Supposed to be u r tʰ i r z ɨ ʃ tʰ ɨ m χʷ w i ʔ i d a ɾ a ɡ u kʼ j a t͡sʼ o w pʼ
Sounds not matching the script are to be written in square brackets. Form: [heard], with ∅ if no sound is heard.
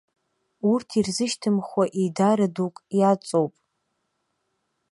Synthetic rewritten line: u r tʰ i r z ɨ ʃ tʰ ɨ m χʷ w [a] ʔ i d a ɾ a [d] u kʼ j a t͡sʼ o w pʼ